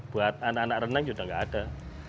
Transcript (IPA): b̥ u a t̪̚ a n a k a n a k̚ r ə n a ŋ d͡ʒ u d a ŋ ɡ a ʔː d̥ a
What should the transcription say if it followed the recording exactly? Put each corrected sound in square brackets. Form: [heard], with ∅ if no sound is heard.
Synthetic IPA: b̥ u a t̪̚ a n a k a n a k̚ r ə n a ŋ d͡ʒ u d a ŋ ɡ a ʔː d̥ a